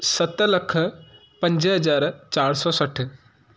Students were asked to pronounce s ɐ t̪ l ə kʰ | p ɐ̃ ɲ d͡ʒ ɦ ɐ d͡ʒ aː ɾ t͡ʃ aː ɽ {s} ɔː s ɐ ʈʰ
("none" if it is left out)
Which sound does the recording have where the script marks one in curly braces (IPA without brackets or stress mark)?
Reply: s